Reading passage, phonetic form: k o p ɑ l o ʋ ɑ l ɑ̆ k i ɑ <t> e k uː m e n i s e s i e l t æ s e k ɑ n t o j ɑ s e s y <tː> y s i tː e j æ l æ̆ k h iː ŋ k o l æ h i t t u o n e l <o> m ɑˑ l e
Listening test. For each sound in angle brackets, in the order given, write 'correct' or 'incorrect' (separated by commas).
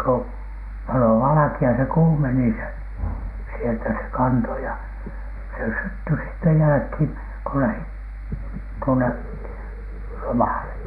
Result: incorrect, correct, correct